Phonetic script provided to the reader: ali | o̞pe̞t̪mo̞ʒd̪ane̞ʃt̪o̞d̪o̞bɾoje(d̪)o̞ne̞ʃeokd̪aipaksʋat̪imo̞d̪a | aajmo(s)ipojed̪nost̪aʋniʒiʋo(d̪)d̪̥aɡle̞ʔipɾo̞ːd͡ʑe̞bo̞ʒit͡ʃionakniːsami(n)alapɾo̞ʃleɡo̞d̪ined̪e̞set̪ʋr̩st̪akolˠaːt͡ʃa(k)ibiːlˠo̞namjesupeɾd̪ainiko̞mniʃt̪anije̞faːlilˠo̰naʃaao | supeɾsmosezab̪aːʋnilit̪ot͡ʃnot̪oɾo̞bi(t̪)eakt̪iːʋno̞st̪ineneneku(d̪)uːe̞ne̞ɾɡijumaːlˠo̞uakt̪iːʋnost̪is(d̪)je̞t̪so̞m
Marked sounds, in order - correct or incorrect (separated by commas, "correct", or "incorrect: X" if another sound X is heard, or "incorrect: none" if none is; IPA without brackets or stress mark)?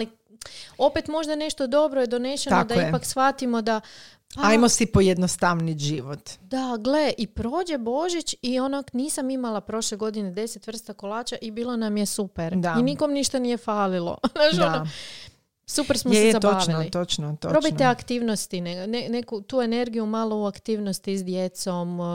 correct, correct, incorrect: t̪, incorrect: m, incorrect: ʔ, correct, incorrect: t̪, correct